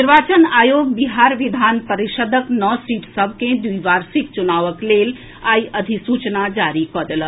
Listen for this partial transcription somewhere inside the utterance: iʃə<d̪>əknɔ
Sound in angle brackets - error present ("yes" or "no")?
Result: no